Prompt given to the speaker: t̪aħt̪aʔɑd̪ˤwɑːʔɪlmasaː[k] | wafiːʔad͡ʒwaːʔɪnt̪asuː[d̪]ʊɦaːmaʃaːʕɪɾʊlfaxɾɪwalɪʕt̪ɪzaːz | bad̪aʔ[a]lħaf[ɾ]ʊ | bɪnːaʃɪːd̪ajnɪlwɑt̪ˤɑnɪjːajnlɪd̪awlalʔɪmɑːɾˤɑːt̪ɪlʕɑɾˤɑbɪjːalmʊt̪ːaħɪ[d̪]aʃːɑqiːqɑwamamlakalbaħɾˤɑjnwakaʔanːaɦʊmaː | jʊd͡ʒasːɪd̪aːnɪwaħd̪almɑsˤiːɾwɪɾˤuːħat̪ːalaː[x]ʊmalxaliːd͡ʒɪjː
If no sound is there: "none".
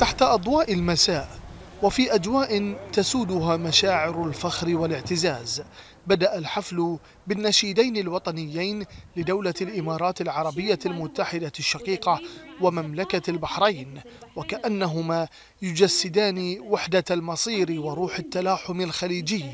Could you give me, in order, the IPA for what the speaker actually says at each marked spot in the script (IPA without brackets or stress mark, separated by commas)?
ʔ, d̪, a, l, d̪, ħ